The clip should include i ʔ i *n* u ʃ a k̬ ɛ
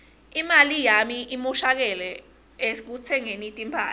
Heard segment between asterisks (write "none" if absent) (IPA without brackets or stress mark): m